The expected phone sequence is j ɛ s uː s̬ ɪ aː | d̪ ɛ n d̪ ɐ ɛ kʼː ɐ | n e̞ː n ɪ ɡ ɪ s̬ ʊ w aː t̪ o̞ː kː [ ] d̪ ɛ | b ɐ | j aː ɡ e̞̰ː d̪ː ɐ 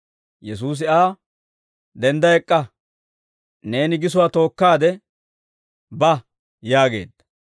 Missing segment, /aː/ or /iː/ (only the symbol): aː